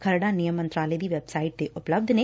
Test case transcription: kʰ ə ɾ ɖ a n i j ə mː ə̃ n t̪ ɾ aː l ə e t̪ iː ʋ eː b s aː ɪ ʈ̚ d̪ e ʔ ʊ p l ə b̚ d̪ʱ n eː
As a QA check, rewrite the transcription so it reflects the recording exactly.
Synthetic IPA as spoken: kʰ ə ɾ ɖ a n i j ə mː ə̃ n t̪ ɾ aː l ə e d̪ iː ʋ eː b s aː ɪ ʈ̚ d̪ e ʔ ʊ p l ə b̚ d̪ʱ n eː